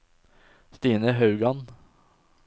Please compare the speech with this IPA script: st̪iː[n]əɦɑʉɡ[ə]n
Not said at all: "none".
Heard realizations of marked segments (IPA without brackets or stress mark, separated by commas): n, ɑ